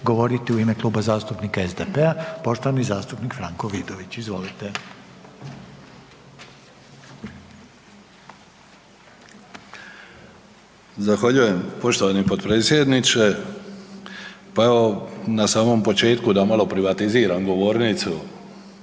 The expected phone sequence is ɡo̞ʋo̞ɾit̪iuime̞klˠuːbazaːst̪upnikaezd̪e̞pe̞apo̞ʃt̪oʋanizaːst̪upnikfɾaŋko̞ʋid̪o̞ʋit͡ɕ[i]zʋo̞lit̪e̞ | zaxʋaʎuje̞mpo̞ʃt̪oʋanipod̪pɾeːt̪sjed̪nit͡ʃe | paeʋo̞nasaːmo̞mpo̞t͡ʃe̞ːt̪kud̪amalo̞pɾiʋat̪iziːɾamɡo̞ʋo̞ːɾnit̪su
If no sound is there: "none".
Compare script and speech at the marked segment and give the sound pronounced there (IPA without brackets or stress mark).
i